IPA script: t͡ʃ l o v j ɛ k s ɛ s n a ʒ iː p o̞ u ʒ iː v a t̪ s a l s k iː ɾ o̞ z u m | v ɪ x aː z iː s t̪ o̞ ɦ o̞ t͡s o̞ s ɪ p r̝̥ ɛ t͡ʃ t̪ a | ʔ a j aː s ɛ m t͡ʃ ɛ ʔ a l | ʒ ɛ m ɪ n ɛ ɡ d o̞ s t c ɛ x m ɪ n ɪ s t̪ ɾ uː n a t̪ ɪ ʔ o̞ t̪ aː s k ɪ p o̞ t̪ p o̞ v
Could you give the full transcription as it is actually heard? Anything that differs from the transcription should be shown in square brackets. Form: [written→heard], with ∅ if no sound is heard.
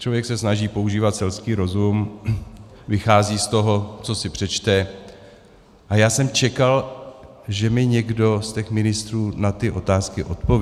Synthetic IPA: t͡ʃ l o v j ɛ k s ɛ s n a ʒ iː p o̞ u ʒ iː v a t̪ s [a→ɛ] l s k iː ɾ o̞ z u m | v ɪ x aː z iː s t̪ o̞ ɦ o̞ t͡s o̞ s ɪ p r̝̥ ɛ t͡ʃ t̪ [a→ɛ] | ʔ a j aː s ɛ m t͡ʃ ɛ [ʔ→k] a l | ʒ ɛ m ɪ [n→ɲ] ɛ ɡ d o̞ s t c ɛ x m ɪ n ɪ s t̪ ɾ uː n a t̪ ɪ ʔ o̞ t̪ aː s k ɪ [p→ʔ] o̞ t̪ p o̞ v